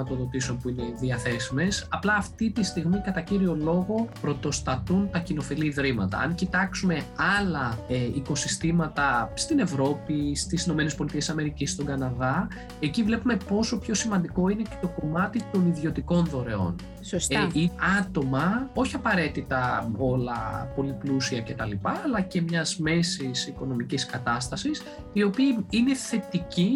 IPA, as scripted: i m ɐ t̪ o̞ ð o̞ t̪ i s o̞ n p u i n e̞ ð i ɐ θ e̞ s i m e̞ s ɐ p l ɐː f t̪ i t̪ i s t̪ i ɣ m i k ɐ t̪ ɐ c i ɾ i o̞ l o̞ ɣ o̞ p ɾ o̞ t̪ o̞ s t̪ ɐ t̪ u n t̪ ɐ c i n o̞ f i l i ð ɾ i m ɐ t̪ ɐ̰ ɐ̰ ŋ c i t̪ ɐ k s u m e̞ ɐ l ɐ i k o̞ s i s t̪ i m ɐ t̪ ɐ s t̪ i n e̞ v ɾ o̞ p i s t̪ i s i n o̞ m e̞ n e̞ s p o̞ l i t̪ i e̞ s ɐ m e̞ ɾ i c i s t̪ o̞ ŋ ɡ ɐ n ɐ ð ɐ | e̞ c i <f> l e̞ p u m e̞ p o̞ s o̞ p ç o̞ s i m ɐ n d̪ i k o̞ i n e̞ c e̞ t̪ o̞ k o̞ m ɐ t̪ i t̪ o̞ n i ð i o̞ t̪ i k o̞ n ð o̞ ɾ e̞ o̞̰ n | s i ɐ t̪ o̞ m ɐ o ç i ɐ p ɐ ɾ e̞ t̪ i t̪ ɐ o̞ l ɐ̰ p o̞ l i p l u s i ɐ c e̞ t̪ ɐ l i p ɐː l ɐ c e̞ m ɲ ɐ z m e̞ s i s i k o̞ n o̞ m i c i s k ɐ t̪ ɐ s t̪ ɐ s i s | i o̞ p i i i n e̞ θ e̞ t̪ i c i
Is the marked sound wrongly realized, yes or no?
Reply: yes